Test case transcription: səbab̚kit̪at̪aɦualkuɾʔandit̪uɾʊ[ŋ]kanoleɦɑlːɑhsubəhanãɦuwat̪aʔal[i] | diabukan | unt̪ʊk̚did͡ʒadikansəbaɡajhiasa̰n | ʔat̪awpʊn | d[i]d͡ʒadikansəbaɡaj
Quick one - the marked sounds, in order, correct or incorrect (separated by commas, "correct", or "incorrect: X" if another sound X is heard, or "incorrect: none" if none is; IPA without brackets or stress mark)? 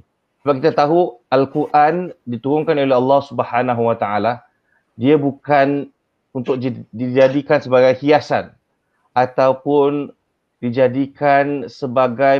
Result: correct, incorrect: a, correct